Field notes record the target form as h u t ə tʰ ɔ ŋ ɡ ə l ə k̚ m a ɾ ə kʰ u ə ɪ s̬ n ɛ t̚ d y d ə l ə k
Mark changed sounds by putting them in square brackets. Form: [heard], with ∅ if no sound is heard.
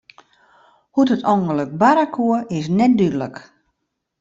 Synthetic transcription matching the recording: h u t ə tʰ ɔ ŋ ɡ ə l ə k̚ [b] a ɾ [a] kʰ u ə ɪ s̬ n ɛ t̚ d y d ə l ə k